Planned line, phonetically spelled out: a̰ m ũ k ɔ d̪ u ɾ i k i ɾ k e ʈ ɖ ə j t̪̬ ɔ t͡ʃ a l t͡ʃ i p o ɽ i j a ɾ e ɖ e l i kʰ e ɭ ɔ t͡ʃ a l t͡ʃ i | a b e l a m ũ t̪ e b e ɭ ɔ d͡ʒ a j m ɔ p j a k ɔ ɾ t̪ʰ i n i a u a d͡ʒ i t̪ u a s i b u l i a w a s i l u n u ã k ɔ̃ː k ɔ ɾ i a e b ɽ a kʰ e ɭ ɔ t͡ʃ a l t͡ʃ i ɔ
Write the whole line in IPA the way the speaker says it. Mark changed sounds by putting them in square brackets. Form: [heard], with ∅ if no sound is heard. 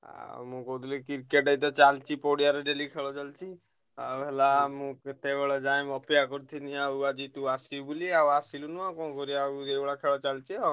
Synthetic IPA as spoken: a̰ m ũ k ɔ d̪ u [l] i k i ɾ k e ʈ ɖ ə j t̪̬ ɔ t͡ʃ a l t͡ʃ i p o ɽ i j a ɾ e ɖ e l i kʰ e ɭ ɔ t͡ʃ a l t͡ʃ i | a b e l a m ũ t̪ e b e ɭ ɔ d͡ʒ a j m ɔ p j a k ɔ ɾ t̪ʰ i n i a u a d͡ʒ i t̪ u a s i b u l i a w a s i l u n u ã k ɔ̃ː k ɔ ɾ i a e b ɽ a kʰ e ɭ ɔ t͡ʃ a l t͡ʃ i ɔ